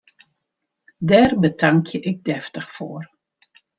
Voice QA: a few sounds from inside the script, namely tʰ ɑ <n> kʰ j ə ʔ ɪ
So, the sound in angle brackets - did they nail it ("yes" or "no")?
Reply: no